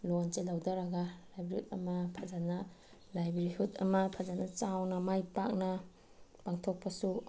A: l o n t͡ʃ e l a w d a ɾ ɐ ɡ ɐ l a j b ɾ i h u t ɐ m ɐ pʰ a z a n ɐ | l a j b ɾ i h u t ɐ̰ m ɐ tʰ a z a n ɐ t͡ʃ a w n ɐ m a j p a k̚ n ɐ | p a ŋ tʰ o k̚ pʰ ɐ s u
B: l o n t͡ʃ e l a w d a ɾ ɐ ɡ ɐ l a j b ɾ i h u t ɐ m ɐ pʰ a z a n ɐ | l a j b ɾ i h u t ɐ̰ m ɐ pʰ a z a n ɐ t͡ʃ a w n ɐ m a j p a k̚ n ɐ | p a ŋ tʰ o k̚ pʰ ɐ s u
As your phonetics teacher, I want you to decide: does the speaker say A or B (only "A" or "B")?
B